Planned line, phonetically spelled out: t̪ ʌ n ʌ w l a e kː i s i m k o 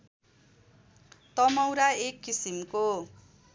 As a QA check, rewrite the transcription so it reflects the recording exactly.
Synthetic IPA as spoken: t̪ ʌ m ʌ w ɾ a e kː i s i m k o